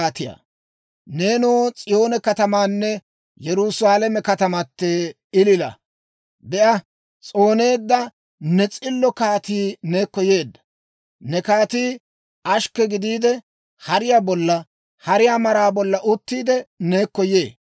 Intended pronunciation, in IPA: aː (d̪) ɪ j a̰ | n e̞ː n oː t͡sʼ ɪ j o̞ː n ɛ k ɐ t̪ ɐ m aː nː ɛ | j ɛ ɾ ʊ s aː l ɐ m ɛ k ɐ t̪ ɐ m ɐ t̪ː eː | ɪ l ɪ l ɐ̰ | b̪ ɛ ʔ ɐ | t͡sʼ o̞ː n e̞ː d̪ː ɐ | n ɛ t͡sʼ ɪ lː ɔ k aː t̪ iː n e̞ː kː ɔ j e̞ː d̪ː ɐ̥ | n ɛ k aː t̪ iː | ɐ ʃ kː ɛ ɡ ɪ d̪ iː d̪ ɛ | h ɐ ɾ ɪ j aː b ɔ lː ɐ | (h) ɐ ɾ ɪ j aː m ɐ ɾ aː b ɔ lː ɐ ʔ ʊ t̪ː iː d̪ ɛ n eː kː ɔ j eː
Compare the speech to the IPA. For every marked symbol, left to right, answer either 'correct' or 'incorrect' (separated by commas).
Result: incorrect, correct